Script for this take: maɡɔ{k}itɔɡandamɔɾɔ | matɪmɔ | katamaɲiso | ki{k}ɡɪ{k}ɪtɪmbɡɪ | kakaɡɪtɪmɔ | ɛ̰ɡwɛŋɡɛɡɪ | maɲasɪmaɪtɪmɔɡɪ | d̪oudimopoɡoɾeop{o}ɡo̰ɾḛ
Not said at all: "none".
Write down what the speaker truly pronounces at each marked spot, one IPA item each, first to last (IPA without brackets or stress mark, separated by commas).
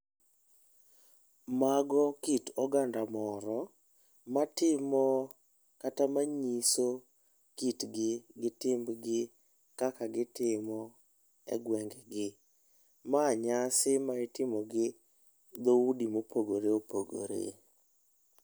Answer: k, t, ɡ, o